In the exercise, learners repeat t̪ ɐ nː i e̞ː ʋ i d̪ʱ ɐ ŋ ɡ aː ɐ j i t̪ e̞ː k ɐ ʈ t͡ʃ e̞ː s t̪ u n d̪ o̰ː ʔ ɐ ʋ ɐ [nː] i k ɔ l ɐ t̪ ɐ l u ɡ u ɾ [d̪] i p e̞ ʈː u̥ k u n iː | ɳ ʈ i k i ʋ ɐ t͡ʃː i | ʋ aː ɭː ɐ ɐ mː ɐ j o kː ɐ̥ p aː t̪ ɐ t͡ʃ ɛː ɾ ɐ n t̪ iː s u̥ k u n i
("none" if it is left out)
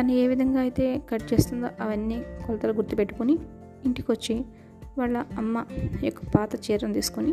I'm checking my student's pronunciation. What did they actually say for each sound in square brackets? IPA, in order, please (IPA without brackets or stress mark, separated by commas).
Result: nː, t̪